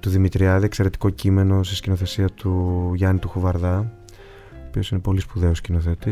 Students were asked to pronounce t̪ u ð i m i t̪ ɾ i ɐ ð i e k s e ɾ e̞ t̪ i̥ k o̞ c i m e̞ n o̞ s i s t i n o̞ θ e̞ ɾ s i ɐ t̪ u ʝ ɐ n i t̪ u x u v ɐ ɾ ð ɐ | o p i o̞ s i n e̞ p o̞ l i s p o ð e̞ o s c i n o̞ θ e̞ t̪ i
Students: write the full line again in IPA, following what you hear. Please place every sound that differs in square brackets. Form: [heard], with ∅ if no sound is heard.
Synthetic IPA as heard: t̪ u ð i m i t̪ ɾ i ɐ ð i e k s e ɾ e̞ t̪ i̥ k o̞ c i m e̞ n o̞ s i s [c] i n o̞ θ e̞ [∅] s i ɐ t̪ u ʝ ɐ n i t̪ u x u v ɐ ɾ ð ɐ | o p i o̞ s i n e̞ p o̞ l i s p [u] ð e̞ o s c i n o̞ θ e̞ t̪ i